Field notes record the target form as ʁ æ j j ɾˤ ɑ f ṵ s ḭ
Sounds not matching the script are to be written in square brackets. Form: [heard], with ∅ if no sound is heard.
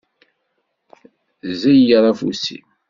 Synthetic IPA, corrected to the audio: [z] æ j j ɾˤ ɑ f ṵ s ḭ